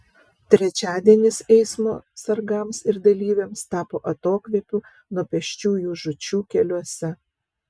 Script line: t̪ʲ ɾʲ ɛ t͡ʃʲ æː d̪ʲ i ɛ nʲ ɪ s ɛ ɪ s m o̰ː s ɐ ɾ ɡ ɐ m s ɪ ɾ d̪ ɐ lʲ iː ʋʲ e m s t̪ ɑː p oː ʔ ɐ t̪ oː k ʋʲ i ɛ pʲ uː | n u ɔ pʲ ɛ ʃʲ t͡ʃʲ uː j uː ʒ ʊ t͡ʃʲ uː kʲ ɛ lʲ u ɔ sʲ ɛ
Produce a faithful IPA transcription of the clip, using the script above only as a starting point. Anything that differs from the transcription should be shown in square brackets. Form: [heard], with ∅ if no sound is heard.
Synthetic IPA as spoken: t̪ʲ ɾʲ ɛ t͡ʃʲ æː d̪ʲ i ɛ nʲ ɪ s ɛ ɪ s m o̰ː s ɐ ɾ ɡ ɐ m s ɪ ɾ d̪ ɐ lʲ iː ʋʲ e m s t̪ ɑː p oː ʔ ɐ t̪ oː k ʋʲ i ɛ pʲ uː | n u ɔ pʲ ɛ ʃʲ t͡ʃʲ uː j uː ʒ ʊ t͡ʃʲ uː kʲ ɛ lʲ u ɔ sʲ ɛ